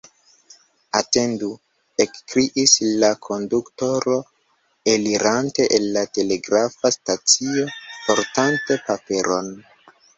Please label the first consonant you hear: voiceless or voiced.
voiceless